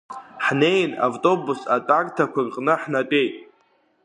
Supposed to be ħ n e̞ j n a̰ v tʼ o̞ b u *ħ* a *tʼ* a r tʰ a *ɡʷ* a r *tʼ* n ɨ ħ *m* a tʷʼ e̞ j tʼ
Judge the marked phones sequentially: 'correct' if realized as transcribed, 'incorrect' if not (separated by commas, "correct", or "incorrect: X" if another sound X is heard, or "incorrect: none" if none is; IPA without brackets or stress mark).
incorrect: s, correct, incorrect: kʷ, incorrect: qʼ, incorrect: n